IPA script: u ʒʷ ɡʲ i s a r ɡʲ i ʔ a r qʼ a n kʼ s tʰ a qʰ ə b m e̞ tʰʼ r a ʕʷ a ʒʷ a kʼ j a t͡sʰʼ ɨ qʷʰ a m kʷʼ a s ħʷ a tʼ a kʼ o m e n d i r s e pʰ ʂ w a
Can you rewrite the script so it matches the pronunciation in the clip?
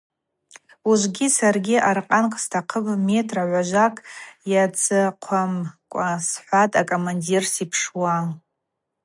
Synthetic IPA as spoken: u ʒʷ ɡʲ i s a r ɡʲ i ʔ a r qʼ a n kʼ s tʰ a qʰ ə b m e̞ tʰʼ r a ʕʷ a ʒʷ a kʼ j a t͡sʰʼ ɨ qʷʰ a m kʷʼ a s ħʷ a tʼ a kʼ o m a n d i r s i pʰ ʂ w a